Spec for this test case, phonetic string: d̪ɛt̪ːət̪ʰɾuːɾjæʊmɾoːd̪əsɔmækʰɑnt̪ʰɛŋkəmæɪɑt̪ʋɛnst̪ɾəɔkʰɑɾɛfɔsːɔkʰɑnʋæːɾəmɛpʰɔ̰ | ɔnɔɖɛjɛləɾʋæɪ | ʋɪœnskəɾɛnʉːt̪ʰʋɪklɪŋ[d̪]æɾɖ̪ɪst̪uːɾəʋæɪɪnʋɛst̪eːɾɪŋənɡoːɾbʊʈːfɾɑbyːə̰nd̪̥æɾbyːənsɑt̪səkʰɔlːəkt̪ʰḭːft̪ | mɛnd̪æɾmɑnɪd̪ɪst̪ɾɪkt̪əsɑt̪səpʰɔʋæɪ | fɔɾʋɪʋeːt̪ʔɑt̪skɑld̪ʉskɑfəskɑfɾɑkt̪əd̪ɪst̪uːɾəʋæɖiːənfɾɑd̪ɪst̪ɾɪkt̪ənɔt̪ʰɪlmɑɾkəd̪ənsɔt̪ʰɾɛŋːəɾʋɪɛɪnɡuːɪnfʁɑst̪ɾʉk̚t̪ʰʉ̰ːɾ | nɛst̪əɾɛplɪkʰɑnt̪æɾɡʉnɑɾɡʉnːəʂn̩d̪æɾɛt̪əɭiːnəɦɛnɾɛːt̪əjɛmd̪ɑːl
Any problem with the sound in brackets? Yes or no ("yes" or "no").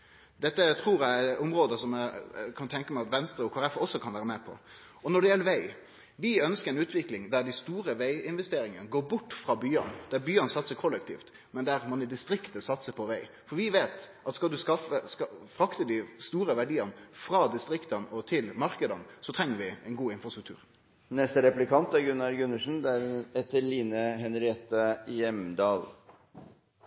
no